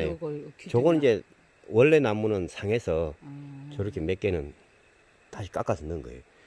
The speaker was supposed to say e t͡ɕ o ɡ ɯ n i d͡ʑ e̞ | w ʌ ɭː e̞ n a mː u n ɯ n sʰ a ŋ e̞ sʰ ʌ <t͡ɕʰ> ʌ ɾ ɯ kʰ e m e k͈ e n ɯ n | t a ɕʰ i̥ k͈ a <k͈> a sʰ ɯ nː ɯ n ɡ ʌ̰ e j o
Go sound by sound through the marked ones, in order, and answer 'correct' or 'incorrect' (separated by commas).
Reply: incorrect, correct